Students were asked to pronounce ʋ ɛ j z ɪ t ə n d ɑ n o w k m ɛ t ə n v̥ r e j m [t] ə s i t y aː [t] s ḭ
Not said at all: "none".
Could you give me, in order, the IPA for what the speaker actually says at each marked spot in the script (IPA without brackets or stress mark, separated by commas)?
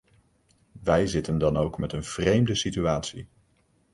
d, t